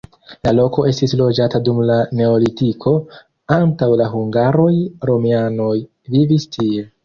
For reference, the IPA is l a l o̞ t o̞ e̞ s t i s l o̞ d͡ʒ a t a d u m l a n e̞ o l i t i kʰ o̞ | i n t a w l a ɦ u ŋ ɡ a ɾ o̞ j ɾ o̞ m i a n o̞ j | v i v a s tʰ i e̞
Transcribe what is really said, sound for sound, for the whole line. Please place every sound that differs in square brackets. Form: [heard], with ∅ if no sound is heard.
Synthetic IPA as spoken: l a l o̞ [k] o̞ e̞ s t i s l o̞ d͡ʒ a t a d u m l a n e̞ o l i t i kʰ o̞ | [a] n t a w l a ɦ u ŋ ɡ a ɾ o̞ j ɾ o̞ m i a n o̞ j | v i v [i] s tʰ i e̞